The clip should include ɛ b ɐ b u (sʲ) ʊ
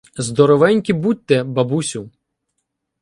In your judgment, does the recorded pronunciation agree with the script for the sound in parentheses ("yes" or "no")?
yes